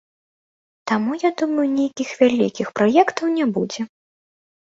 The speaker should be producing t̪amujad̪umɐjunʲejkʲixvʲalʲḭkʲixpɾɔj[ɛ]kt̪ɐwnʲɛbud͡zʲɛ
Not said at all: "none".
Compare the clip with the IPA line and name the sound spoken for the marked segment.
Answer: ɛ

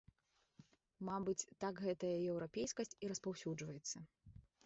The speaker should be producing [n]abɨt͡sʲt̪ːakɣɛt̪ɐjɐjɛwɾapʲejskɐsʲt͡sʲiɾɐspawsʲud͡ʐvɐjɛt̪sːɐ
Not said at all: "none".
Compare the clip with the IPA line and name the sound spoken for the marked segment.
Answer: m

